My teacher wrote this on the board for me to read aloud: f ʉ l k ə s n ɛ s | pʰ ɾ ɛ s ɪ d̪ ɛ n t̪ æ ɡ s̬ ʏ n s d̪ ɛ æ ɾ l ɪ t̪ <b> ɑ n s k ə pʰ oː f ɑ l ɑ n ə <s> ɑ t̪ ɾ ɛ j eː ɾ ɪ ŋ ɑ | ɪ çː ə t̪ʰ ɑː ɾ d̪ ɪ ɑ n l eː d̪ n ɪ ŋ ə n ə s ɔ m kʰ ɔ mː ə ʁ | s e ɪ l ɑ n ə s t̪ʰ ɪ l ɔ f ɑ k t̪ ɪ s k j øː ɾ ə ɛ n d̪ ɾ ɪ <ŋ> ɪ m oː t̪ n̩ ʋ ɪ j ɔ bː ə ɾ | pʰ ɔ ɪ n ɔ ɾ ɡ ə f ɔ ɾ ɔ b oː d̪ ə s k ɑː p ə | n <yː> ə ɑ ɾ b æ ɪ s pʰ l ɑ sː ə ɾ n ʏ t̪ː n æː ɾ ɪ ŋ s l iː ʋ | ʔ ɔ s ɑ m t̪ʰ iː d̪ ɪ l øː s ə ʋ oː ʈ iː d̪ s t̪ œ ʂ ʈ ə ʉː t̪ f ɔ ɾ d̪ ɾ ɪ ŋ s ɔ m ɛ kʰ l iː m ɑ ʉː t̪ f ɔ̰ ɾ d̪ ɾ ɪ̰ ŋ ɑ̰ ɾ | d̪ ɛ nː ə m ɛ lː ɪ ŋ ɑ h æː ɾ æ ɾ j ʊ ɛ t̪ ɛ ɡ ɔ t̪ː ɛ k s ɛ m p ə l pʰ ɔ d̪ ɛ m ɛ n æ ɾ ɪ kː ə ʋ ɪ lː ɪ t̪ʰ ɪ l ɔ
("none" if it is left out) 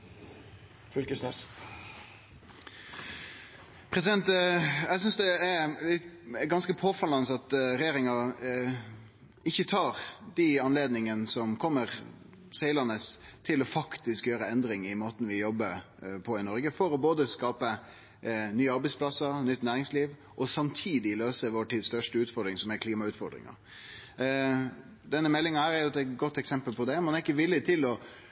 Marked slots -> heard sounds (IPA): ɡ, s, ŋ, yː

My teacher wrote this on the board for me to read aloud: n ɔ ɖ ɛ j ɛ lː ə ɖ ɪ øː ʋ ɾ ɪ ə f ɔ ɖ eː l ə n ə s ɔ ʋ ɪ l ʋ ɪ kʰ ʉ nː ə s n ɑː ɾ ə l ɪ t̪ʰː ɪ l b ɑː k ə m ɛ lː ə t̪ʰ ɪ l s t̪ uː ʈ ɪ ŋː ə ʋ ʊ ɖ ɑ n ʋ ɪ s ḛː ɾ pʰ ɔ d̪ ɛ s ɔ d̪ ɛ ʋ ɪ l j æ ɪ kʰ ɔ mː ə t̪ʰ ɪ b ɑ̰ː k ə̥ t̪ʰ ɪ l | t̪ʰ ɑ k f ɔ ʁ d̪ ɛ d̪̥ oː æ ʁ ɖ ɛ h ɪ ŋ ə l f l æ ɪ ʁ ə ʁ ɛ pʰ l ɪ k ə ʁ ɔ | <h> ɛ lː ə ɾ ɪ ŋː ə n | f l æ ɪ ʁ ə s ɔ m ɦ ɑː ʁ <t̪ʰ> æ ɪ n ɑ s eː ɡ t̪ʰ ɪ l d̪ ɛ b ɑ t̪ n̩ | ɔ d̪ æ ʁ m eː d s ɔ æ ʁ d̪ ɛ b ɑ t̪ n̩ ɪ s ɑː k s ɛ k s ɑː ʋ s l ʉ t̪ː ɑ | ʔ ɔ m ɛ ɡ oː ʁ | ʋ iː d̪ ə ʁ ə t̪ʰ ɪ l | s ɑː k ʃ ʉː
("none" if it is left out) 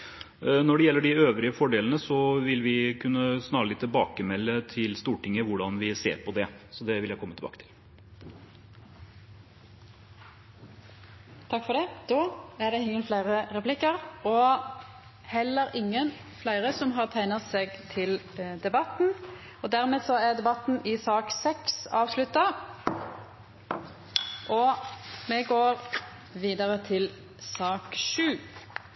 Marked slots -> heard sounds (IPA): h, t̪ʰ

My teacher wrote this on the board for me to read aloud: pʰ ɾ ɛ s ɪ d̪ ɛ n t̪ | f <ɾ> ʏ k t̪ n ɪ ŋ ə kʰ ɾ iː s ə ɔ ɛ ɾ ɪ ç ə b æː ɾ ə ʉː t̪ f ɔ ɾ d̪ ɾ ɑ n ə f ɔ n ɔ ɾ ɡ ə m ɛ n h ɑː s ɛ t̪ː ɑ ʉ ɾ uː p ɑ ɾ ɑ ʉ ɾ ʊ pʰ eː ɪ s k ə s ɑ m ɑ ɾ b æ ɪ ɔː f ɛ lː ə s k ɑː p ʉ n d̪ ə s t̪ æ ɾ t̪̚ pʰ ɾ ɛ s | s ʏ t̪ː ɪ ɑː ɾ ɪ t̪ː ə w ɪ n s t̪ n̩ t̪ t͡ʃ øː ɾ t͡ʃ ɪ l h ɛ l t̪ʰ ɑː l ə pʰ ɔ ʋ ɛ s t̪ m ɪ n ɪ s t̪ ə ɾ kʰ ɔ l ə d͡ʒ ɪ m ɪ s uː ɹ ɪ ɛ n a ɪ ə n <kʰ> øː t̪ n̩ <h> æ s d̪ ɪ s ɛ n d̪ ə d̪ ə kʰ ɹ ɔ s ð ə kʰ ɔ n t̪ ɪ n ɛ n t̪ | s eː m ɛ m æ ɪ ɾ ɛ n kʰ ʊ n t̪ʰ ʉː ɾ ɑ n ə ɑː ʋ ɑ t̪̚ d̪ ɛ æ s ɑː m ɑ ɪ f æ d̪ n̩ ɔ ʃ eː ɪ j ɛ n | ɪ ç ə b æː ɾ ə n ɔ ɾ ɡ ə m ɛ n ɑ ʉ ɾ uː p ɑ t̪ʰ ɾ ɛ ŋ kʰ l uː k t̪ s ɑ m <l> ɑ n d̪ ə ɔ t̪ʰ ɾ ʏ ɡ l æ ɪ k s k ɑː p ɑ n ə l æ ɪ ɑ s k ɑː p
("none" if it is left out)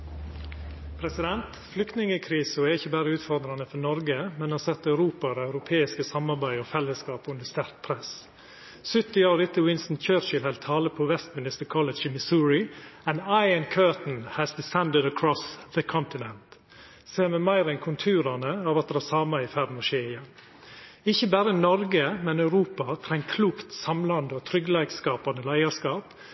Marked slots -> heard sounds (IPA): l, kʰ, h, l

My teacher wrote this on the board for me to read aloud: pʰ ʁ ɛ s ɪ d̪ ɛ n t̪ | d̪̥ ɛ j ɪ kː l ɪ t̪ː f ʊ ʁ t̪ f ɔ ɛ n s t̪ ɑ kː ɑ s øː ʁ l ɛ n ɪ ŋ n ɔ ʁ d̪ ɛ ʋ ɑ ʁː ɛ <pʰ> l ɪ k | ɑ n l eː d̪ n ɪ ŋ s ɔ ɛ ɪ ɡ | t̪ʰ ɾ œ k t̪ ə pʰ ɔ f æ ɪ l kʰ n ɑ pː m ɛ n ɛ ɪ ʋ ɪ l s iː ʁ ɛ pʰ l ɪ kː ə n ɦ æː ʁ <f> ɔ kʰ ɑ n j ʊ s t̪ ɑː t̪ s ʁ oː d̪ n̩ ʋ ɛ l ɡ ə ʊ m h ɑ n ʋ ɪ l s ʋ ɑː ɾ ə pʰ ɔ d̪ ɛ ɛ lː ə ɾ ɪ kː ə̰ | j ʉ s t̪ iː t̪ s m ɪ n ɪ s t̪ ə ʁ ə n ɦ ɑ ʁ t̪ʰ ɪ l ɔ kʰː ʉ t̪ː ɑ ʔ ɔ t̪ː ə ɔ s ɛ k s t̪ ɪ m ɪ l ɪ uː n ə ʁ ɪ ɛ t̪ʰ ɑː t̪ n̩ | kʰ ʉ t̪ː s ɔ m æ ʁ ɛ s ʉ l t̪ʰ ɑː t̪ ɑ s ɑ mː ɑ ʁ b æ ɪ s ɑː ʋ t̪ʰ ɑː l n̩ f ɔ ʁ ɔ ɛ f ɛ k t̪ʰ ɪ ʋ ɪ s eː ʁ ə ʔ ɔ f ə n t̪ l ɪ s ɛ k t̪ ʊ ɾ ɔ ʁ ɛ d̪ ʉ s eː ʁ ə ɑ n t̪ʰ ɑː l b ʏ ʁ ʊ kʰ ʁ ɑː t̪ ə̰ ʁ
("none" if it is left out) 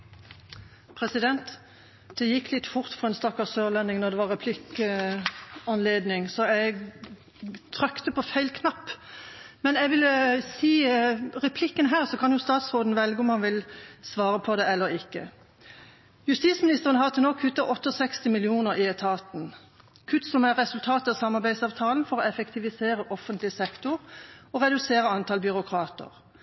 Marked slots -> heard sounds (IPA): pʰ, s

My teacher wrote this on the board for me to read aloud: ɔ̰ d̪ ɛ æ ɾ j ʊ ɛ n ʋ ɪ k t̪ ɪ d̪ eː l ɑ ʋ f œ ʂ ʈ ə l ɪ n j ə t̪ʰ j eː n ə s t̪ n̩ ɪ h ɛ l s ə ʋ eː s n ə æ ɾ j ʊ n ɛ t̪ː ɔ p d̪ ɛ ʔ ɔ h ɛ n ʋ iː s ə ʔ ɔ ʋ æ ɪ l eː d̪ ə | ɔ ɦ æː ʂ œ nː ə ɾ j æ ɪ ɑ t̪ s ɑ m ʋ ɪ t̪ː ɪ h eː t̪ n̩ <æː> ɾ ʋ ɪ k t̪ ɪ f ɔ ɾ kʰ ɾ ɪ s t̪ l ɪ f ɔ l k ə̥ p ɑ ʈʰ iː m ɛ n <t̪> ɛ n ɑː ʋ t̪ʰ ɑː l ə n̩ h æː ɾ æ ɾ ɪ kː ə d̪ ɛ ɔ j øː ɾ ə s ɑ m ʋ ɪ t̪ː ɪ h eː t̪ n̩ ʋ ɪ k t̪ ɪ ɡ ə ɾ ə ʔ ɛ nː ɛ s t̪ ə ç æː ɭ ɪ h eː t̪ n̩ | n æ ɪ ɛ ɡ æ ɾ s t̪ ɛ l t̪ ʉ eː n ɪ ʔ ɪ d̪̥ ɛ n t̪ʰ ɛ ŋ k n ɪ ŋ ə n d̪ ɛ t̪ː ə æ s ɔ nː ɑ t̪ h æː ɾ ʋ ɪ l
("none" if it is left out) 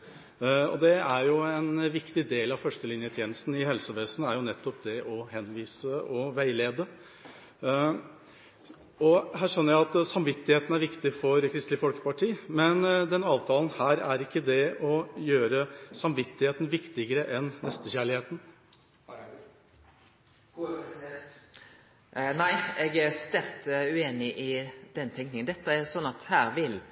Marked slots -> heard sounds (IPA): æ, d̪

